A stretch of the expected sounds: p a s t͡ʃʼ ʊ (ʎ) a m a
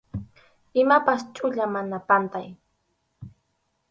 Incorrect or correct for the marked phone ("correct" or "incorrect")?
correct